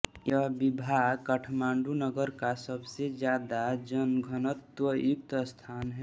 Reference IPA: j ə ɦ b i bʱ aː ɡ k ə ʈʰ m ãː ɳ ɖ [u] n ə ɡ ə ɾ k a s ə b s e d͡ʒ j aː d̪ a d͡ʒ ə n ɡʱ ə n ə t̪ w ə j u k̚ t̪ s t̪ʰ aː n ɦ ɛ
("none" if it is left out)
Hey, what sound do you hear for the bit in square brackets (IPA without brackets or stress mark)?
u